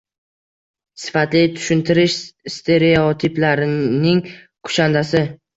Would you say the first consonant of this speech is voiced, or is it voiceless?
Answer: voiceless